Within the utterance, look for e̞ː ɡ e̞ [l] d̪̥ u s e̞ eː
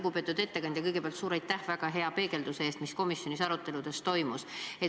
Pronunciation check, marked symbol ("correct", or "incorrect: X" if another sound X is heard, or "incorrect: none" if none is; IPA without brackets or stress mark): correct